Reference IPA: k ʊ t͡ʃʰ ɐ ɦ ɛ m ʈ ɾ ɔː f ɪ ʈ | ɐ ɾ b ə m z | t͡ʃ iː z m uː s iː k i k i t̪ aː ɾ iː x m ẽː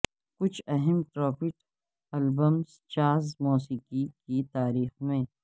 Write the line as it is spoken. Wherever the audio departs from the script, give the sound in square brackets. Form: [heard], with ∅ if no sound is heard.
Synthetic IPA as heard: k ʊ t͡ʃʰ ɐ ɦ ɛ m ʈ ɾ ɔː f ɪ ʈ | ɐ [l] b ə m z | t͡ʃ [aː] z m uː s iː k i k i t̪ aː ɾ iː x m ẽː

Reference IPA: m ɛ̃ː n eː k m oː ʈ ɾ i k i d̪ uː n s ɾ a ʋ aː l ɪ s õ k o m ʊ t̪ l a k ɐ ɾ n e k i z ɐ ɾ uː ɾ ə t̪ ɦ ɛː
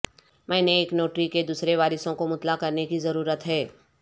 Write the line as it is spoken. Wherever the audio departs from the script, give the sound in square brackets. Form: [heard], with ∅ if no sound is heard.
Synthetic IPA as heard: m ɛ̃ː n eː k [n] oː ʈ ɾ i k [e] d̪ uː [∅] s ɾ [e] ʋ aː [ɾ] ɪ s õ k o m ʊ t̪ l a k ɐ ɾ n e k i z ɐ ɾ uː ɾ ə t̪ ɦ ɛː

